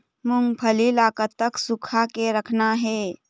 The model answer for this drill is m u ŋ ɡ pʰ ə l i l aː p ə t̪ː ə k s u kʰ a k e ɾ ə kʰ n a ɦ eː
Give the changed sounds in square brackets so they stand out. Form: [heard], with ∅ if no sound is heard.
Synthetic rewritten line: m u ŋ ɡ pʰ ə l i l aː [k] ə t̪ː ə k s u kʰ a k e ɾ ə kʰ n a ɦ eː